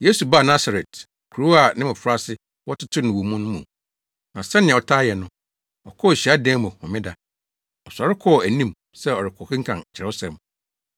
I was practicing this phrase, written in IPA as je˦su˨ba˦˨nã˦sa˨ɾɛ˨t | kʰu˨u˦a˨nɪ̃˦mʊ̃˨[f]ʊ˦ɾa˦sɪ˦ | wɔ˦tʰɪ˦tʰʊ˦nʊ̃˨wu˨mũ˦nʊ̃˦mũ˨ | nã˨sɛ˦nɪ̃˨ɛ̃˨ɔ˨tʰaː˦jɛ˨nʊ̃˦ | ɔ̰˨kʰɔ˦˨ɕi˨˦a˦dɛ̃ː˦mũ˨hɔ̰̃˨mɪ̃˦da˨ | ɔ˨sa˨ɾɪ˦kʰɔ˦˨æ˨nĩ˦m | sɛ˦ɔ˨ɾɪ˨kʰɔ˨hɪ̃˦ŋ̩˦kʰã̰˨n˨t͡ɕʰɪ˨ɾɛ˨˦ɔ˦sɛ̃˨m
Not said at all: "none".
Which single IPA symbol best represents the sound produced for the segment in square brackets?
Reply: f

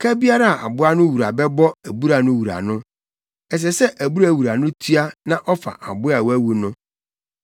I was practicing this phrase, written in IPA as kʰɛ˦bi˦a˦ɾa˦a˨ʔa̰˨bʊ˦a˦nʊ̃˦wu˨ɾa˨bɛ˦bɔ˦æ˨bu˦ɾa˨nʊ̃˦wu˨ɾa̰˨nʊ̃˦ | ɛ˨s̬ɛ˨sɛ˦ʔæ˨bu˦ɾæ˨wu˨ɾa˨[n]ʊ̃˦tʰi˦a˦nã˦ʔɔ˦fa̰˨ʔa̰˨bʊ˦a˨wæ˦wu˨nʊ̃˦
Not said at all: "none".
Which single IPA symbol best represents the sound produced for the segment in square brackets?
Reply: n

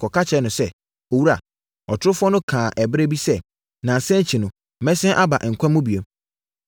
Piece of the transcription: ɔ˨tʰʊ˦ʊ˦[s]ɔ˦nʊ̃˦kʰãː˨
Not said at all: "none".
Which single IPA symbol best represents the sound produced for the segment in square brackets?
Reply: f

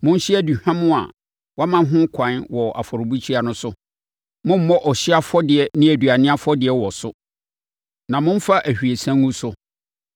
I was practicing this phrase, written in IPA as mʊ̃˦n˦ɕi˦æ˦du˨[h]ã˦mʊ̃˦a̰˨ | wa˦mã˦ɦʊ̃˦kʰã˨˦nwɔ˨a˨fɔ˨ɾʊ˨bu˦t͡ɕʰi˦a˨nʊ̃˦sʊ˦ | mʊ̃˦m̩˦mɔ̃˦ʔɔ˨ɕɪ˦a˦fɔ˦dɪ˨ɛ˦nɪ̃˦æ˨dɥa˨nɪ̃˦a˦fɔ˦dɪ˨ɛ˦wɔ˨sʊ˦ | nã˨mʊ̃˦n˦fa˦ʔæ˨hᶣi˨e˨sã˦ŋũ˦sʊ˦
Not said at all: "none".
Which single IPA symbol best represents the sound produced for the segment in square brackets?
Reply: h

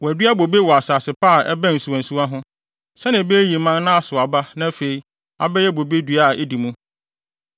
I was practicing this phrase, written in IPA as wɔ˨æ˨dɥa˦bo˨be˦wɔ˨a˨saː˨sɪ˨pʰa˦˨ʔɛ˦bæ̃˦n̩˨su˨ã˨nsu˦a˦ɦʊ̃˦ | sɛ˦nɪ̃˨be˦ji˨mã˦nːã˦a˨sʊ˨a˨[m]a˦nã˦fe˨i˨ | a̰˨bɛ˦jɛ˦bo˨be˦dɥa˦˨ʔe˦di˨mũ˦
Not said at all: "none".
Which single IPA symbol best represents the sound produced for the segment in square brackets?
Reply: b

